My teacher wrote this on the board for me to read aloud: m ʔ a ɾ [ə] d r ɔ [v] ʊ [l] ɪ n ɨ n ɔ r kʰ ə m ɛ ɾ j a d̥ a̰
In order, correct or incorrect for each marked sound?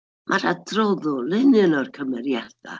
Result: incorrect, incorrect, correct

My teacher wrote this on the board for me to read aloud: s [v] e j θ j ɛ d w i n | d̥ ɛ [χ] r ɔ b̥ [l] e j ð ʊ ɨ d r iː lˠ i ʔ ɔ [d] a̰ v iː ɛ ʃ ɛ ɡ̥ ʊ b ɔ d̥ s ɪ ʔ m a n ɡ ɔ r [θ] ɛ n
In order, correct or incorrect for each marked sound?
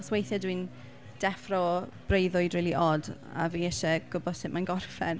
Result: incorrect, incorrect, incorrect, correct, incorrect

